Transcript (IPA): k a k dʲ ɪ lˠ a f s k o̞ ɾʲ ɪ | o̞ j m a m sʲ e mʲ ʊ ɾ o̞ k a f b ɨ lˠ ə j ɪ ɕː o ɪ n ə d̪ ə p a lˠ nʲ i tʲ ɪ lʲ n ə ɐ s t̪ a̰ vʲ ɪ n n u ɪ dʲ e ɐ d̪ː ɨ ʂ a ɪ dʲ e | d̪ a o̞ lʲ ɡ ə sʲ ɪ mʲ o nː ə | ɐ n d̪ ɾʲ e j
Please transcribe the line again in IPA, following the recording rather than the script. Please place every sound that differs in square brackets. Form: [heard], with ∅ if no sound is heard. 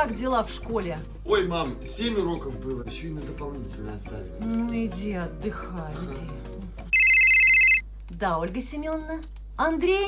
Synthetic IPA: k a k dʲ ɪ lˠ a f [ʂ] k o̞ [lʲ] ɪ | o̞ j m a m sʲ e mʲ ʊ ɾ o̞ k [ə] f b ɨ lˠ ə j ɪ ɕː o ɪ n ə d̪ ə p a lˠ nʲ i tʲ ɪ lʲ n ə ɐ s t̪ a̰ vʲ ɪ n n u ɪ dʲ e ɐ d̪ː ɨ [x] a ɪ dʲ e | d̪ a o̞ lʲ ɡ ə sʲ ɪ mʲ o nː ə | ɐ n d̪ ɾʲ e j